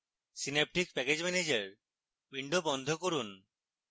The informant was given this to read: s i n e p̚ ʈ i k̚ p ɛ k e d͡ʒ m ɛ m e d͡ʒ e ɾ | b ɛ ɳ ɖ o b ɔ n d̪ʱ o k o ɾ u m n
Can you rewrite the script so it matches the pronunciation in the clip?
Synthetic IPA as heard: s i n e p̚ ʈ i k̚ p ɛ k e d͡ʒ m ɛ n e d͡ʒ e ɾ | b i ɳ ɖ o b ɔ n d̪ʱ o k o ɾ u n